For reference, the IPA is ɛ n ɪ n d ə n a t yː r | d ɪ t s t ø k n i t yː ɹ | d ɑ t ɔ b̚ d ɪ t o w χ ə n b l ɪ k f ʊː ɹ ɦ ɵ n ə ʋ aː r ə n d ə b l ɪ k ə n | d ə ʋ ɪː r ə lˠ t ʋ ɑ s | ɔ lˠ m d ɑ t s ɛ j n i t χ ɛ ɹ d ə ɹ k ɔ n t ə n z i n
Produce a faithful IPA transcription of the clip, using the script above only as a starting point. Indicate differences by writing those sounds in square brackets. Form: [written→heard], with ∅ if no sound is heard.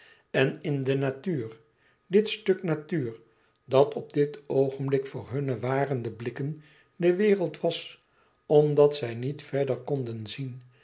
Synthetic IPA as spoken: ɛ n ɪ n d ə n a t yː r | d ɪ t s t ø k n [i→a] t yː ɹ | d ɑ t ɔ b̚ d ɪ t o w χ ə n b l ɪ k f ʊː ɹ ɦ ɵ n ə ʋ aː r ə n d ə b l ɪ k ə n | d ə ʋ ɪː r ə lˠ t ʋ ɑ s | ɔ [lˠ→∅] m d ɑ t s ɛ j n i t [χ→f] ɛ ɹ d ə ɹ k ɔ n [t→d] ə n z i n